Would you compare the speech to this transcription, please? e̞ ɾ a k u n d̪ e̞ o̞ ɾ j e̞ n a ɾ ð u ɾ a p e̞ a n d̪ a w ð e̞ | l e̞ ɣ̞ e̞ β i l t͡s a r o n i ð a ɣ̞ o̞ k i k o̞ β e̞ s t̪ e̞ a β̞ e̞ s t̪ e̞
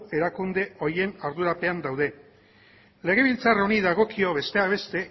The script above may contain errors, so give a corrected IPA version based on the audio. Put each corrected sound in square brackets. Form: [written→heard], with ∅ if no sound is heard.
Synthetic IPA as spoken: e̞ ɾ a k u n d̪ e̞ o̞ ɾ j e̞ n a ɾ ð u ɾ a p e̞ a n d̪ a w ð e̞ | l e̞ ɣ̞ e̞ β i l t͡s a r o n i ð a ɣ̞ o̞ k i [k→∅] o̞ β e̞ s t̪ e̞ a β̞ e̞ s t̪ e̞